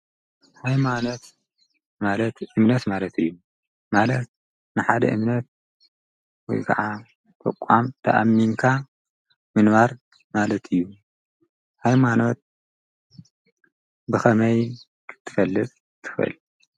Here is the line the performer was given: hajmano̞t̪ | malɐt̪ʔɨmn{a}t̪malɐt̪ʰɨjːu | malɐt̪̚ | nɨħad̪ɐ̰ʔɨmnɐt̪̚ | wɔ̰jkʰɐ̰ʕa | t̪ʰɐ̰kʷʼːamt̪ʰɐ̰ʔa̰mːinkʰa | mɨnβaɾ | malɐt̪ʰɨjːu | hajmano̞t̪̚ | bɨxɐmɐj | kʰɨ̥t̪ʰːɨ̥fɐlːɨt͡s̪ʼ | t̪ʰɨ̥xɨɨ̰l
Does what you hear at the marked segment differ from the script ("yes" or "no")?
yes